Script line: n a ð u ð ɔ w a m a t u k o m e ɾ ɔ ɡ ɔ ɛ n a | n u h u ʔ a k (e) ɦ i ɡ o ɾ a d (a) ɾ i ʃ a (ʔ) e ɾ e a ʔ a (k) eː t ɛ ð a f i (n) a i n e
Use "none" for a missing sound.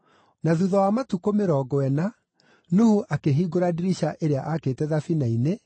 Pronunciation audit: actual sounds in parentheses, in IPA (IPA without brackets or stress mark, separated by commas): e, i, ʔ, k, n